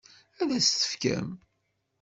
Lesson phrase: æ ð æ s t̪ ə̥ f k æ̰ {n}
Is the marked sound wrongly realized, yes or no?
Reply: yes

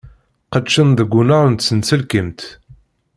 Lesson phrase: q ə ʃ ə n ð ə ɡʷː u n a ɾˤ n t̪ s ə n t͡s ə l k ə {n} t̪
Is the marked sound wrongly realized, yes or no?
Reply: yes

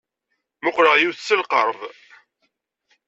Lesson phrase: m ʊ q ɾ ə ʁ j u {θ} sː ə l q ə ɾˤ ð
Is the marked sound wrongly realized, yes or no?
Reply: no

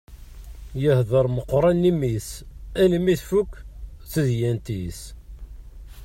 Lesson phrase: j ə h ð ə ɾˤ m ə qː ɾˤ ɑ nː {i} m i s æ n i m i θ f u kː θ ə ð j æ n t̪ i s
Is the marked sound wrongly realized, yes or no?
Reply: no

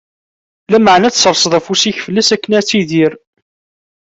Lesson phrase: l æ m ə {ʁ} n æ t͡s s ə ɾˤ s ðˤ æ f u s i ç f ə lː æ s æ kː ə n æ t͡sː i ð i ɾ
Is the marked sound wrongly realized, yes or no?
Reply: yes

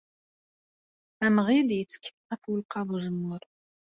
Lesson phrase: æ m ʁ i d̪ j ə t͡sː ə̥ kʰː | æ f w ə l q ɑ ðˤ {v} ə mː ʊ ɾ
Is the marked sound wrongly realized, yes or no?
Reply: yes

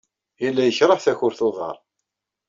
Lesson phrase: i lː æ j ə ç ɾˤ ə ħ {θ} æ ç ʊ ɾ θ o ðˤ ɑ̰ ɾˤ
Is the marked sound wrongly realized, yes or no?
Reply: no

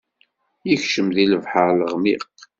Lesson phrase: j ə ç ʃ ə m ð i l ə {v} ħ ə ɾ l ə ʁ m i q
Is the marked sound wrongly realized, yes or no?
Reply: no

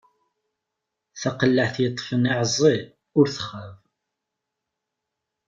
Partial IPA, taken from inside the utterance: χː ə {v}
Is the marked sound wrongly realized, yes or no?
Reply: no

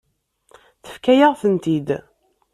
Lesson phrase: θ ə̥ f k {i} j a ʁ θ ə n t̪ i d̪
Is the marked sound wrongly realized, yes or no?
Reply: yes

